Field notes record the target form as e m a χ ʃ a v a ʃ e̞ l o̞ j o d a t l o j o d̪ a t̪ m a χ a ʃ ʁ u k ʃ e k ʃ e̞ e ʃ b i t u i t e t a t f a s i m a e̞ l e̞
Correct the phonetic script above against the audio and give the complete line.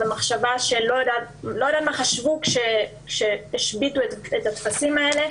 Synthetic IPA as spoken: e m a χ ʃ a v a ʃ e̞ l o̞ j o d a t l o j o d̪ a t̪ m a χ a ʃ v u k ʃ e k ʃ e̞ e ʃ b i t u e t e t a t f a s i m a e̞ l e̞